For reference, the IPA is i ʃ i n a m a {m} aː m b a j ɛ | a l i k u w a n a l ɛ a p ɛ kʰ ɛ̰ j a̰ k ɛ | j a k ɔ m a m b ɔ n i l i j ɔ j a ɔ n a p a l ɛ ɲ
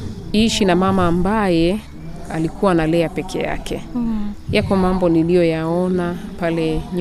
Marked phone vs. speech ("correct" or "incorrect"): correct